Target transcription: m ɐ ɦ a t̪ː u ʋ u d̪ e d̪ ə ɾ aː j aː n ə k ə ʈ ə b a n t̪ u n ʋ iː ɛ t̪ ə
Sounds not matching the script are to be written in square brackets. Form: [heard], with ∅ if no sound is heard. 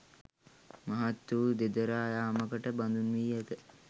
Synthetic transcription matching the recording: m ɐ ɦ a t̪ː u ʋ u d̪ e d̪ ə ɾ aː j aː [m] ə k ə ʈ ə b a n [d̪] u n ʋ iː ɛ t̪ ə